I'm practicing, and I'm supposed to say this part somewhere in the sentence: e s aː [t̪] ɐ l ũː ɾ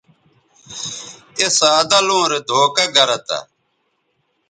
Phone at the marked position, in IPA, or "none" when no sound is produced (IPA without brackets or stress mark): d̪